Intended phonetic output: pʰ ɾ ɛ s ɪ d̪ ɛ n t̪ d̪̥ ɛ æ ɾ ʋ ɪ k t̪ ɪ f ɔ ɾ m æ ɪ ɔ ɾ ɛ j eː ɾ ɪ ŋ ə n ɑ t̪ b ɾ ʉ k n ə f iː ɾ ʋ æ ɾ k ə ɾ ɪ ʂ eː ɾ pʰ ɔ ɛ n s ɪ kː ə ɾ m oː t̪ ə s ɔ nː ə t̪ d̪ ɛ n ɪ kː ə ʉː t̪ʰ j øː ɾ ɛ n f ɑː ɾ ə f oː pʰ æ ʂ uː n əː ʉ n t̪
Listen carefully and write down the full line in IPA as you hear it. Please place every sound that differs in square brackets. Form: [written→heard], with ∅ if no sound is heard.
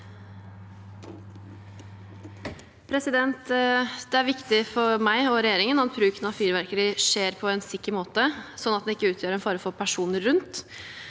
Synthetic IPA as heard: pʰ ɾ ɛ s ɪ d̪ ɛ n t̪ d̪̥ ɛ æ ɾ ʋ ɪ k t̪ ɪ f ɔ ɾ m æ ɪ ɔ ɾ ɛ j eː ɾ ɪ ŋ ə n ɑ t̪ b ɾ [ʉ→ʉː] k n [ə→ɑ] f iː ɾ ʋ æ ɾ k ə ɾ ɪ ʂ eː ɾ pʰ ɔ ɛ n s ɪ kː ə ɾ m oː t̪ ə s ɔ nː [ə→ɑ] t̪ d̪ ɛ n ɪ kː ə ʉː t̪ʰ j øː ɾ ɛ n f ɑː ɾ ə f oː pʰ æ ʂ uː n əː ʉ n t̪

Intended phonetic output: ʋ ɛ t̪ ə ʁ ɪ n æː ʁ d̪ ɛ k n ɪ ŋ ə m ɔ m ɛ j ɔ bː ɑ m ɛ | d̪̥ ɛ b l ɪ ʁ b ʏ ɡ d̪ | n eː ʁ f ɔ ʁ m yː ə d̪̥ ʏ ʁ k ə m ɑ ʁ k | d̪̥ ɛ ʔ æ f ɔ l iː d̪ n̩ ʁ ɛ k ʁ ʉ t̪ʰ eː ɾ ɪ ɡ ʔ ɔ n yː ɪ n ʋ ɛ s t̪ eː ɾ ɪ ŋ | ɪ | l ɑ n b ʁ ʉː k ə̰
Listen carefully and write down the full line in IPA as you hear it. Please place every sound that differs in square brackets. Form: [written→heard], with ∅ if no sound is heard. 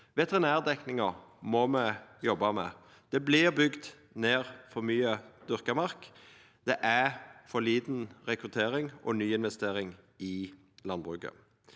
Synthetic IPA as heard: ʋ ɛ t̪ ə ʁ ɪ n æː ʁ d̪ ɛ k n ɪ ŋ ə m ɔ m ɛ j ɔ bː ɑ m ɛ | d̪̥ ɛ b l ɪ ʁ b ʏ ɡ d̪ | n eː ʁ f ɔ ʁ m yː ə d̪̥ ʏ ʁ k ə m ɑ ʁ k | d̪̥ ɛ ʔ æ f ɔ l iː d̪ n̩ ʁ ɛ k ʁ ʉ t̪ʰ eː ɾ ɪ [ɡ→ŋ] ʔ ɔ n yː ɪ n ʋ ɛ s t̪ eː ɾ ɪ ŋ | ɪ | l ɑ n b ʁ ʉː k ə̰

